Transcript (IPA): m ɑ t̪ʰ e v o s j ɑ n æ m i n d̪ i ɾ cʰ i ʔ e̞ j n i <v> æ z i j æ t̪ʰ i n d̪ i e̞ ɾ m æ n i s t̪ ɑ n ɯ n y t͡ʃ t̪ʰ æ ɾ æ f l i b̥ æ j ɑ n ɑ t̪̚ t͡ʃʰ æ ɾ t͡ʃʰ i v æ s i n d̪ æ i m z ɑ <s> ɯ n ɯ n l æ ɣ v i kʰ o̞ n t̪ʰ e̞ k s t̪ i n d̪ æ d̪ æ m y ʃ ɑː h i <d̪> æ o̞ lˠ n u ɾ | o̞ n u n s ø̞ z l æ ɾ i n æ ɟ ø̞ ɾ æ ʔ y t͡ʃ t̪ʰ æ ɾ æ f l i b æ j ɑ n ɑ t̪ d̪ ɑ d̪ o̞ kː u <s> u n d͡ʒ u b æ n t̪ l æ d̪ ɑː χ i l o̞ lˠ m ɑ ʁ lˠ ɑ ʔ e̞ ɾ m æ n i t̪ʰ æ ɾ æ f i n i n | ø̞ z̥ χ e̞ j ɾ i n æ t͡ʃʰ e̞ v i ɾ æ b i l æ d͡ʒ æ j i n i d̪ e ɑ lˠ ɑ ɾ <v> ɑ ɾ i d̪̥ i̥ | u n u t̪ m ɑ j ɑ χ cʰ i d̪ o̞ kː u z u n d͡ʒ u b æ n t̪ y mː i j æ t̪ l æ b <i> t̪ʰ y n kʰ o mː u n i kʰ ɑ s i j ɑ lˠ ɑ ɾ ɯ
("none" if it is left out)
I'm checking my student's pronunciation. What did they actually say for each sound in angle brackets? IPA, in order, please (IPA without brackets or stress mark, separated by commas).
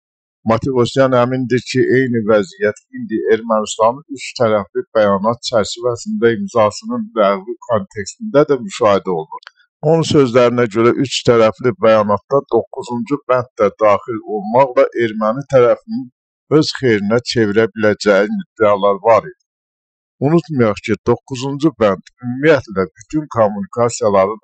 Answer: v, s, d̪, z, v, y